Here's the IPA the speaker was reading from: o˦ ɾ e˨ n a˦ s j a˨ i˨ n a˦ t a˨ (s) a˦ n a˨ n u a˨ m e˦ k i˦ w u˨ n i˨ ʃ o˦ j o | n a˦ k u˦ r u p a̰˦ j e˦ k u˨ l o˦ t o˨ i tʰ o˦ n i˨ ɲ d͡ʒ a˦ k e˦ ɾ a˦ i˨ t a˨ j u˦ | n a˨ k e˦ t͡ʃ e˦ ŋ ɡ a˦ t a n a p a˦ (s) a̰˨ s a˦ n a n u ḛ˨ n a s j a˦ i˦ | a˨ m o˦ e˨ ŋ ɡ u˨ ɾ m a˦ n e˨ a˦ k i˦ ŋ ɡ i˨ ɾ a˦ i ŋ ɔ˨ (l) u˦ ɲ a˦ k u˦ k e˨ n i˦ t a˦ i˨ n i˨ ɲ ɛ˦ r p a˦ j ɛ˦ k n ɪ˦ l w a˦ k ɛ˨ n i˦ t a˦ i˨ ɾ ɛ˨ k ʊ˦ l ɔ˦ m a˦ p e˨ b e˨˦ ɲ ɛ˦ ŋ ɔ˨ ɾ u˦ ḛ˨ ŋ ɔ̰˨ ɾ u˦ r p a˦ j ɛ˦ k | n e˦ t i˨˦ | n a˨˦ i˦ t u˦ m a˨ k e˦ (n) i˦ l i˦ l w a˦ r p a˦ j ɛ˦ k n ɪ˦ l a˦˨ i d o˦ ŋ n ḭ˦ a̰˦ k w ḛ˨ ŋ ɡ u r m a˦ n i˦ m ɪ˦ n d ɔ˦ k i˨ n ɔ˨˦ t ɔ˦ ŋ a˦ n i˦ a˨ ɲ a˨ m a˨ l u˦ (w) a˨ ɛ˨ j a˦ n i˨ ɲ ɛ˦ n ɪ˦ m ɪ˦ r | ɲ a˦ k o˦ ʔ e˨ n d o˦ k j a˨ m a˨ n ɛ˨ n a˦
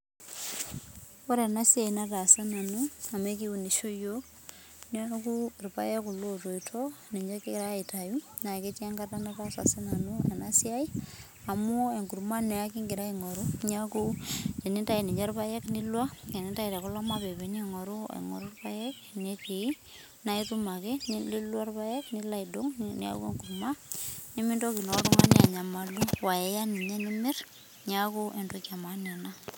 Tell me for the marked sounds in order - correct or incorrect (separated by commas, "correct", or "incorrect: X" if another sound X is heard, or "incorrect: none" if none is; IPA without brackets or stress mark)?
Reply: correct, correct, incorrect: ɾ, correct, correct